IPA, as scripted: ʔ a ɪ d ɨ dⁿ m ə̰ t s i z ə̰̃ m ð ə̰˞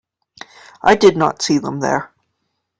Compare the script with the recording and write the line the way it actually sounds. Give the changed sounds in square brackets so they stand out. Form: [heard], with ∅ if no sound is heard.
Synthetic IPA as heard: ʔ a ɪ d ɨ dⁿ [n] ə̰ t s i [ð] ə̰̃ m ð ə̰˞